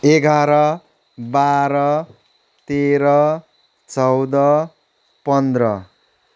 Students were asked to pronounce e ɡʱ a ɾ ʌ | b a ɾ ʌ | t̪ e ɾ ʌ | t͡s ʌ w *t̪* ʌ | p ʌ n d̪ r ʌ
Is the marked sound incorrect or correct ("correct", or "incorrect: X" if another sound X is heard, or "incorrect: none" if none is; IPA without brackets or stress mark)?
incorrect: d̪